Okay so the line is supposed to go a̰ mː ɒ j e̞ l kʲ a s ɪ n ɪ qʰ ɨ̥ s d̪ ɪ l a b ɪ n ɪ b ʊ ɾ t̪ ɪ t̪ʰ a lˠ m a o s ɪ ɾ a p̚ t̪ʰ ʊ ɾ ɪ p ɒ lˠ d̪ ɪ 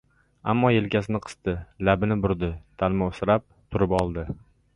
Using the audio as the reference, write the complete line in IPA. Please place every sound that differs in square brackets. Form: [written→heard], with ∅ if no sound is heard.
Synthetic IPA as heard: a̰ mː ɒ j e̞ l kʲ a s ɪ n ɪ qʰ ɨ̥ s [d̪→t̪] ɪ l a b ɪ n ɪ b ʊ ɾ [t̪→d̪] ɪ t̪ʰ a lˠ m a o s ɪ ɾ a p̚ t̪ʰ ʊ ɾ ɪ p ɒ lˠ d̪ ɪ